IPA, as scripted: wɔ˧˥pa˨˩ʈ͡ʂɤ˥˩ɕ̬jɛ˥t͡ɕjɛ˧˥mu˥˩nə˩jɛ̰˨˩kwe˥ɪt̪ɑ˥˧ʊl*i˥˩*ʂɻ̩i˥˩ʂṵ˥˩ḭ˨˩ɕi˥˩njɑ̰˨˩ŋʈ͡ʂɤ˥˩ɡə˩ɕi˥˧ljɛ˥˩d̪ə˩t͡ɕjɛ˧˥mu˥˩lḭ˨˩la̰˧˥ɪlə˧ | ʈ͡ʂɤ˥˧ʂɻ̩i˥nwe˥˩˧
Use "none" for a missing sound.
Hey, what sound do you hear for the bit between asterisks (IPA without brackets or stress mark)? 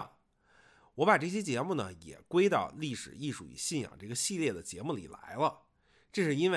i˥˩